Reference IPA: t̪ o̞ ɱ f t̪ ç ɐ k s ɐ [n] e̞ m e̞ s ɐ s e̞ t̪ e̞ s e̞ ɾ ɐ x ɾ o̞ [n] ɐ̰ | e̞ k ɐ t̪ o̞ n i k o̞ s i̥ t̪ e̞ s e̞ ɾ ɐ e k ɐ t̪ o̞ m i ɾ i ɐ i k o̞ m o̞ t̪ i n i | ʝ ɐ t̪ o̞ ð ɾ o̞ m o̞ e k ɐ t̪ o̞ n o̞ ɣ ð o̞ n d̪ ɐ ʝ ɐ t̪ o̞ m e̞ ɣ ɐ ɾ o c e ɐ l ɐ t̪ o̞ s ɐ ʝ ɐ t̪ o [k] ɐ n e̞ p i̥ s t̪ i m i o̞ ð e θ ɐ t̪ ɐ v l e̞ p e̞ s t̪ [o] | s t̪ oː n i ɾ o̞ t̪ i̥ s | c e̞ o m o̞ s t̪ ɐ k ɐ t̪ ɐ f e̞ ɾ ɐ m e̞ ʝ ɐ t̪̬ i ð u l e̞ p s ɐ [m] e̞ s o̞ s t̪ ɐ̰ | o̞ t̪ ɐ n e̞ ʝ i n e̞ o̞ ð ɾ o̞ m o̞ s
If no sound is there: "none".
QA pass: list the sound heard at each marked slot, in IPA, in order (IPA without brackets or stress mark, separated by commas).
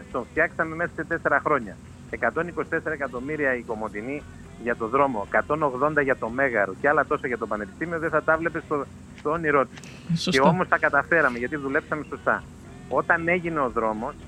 m, ɲ, p, o, m